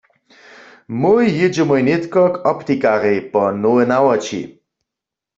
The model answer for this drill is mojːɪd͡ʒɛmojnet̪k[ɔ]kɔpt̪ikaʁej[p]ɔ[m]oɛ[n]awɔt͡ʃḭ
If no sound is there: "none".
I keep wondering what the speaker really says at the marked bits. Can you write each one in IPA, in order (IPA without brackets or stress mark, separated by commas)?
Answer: ɔ, p, n, n